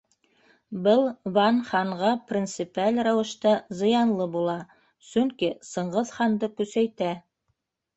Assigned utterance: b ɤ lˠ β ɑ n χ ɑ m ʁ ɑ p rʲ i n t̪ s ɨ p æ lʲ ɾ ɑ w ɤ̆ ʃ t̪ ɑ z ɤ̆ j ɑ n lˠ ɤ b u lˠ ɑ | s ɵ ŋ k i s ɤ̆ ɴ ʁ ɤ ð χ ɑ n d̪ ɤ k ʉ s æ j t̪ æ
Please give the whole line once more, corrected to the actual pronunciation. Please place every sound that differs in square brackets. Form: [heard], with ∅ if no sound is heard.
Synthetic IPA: b ɤ lˠ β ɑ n χ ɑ [ɴ] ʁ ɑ p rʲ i n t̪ s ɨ p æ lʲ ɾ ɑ w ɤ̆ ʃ t̪ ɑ z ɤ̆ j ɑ n lˠ ɤ b u lˠ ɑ | s ɵ ŋ k i s ɤ̆ ɴ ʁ ɤ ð χ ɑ n d̪ ɤ k ʉ s æ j t̪ æ